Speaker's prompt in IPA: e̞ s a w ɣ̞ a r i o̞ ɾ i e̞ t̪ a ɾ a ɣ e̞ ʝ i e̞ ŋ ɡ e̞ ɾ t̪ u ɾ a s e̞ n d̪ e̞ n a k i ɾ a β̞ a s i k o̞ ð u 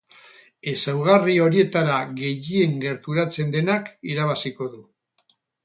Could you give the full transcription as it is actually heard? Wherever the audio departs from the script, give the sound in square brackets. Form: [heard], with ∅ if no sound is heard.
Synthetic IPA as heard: e̞ s a w ɣ̞ a r i o̞ ɾ i e̞ t̪ a ɾ a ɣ e̞ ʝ i e̞ ŋ ɡ e̞ ɾ t̪ u ɾ a [t͡s] e̞ n d̪ e̞ n a k i ɾ a β̞ a s i k o̞ ð u